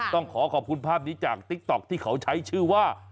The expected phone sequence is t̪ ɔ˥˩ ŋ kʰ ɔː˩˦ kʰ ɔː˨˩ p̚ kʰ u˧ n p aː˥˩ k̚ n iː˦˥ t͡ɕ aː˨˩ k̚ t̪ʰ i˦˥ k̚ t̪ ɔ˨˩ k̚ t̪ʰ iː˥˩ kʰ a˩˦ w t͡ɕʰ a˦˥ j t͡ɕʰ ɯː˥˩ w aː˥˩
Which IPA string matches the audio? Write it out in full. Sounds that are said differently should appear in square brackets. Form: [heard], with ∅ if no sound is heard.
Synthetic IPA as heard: t̪ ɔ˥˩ ŋ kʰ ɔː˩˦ kʰ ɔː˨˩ p̚ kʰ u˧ n [pʰ] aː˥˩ [p̚] n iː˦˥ t͡ɕ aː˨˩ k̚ [t̪] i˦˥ k̚ t̪ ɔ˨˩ k̚ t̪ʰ iː˥˩ kʰ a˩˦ w t͡ɕʰ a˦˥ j t͡ɕʰ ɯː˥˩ w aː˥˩